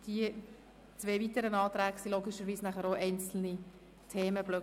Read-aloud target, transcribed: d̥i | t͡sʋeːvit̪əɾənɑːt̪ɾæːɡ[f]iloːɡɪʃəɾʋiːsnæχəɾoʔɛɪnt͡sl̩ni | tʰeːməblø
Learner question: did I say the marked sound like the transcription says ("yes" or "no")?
no